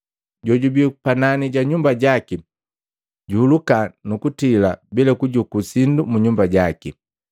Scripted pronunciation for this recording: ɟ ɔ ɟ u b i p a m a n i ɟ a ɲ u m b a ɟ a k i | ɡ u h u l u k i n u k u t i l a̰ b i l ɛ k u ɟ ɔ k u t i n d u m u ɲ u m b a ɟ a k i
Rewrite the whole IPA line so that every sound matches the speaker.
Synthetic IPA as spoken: ɟ ɔ ɟ u b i p a n a n i ɟ a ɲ u m b a ɟ a k i | ɟ u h u l u k a n u k u t i l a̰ b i l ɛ k u ɟ u k u s i n d u m u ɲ u m b a ɟ a k i

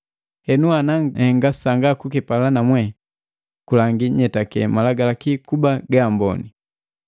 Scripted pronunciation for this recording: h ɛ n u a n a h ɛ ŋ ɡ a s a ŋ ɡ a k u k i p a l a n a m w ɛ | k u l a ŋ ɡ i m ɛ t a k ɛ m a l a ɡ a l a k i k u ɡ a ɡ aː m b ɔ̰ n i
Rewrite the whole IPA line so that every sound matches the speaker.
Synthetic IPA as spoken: h ɛ n u a n a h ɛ ŋ ɡ a s a ŋ ɡ a k u k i p a l a n a m w ɛ | k u l a ŋ ɡ i ɲ ɛ t a k ɛ m a l a ɡ a l a k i k u b a ɡ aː m b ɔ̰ n i

